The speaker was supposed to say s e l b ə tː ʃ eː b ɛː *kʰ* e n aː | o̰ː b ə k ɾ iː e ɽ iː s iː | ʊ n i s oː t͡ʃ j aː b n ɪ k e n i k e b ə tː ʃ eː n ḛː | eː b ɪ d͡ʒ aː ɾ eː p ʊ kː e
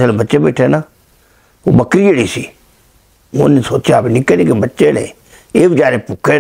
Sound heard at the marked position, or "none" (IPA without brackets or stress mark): ʈʰ